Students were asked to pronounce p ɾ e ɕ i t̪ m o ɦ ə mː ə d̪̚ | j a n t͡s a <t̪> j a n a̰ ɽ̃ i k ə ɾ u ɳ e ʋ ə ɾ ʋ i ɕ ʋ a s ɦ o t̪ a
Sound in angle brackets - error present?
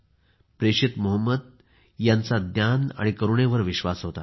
yes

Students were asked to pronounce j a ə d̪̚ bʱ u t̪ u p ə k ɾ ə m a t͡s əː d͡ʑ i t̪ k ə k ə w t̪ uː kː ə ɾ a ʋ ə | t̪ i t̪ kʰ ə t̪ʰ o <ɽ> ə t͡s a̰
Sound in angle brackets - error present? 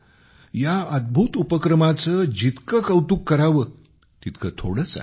no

